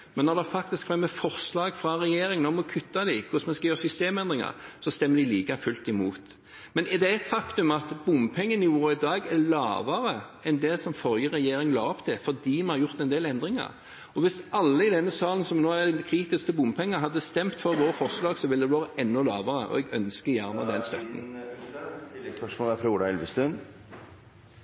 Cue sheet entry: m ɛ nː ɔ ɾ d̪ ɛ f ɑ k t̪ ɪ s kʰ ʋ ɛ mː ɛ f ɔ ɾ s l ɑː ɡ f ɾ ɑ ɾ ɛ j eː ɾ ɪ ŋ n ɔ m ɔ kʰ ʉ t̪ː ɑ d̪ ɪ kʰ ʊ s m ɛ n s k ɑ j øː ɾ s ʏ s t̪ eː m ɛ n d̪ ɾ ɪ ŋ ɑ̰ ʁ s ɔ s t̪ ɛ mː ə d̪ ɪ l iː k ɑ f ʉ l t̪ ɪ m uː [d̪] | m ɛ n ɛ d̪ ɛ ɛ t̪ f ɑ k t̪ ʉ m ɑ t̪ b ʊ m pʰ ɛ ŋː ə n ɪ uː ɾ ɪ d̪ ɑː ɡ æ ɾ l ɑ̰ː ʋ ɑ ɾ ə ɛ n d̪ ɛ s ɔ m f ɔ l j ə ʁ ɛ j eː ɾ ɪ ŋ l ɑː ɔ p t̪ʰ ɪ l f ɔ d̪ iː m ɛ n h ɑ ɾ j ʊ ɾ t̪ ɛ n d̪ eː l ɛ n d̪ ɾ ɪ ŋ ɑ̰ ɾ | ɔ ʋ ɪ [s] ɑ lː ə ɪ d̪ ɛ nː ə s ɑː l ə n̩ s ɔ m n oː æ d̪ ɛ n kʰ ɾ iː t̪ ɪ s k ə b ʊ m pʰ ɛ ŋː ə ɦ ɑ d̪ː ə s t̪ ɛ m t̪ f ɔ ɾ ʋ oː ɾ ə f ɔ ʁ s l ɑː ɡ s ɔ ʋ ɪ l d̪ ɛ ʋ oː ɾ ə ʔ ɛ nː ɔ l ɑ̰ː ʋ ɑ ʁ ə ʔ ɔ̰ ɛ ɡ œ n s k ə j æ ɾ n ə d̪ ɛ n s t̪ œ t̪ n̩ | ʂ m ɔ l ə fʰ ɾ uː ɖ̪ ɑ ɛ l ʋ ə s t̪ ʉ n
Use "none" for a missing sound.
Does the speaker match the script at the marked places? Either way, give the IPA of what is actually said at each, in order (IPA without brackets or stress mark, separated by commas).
t̪, s